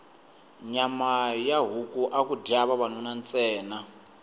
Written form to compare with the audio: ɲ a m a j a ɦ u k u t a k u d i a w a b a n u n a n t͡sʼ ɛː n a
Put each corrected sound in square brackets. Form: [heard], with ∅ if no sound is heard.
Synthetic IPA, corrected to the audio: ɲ a m a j a ɦ u k u [ʔ] a k u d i a [β] a [β] a n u n a n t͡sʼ ɛː n a